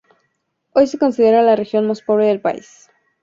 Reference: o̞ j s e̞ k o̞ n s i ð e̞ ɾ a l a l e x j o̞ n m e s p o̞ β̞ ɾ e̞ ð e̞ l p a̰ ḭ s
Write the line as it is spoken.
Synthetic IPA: o̞ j s e̞ k o̞ n s i ð e̞ ɾ a l a r e x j o̞ n m a s p o̞ β̞ ɾ e̞ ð e̞ l p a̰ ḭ s